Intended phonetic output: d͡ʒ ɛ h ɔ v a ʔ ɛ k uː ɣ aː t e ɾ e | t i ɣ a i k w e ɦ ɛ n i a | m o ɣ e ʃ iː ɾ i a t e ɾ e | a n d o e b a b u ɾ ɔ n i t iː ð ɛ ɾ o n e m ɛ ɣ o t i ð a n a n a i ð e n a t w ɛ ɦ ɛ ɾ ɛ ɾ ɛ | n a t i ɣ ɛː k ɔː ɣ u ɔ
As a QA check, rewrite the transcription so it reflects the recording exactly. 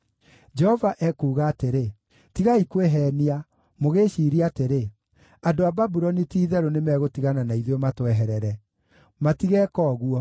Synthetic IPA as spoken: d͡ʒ ɛ h ɔ v a ʔ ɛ k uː ɣ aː t e ɾ e | t i ɣ a i k w e ɦ ɛ n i a | m o ɣ e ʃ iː ɾ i a t e ɾ e | a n d o a b a b u ɾ ɔ n i t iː ð ɛ ɾ o n e m ɛ ɣ o t i ɣ a n a n a i ð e m a t w ɛ ɦ ɛ ɾ ɛ ɾ ɛ | m a t i ɣ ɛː k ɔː ɣ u ɔ